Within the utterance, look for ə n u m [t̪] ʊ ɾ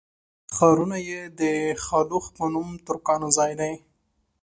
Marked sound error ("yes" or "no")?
no